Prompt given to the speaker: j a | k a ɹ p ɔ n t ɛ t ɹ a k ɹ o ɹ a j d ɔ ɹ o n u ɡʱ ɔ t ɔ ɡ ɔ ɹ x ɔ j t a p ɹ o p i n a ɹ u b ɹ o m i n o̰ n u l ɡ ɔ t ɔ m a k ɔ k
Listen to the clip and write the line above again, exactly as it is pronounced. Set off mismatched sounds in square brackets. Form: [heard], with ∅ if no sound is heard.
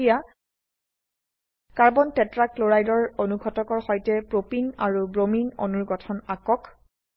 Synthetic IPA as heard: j a | k a ɹ [b] ɔ n t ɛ t ɹ a k [l] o ɹ a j d ɔ ɹ o n u ɡʱ ɔ t ɔ [k] ɔ ɹ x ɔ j t [ɛ] p ɹ o p i n a ɹ u b ɹ o m i n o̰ n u [ɹ] ɡ ɔ [tʰ] ɔ [n] a k ɔ k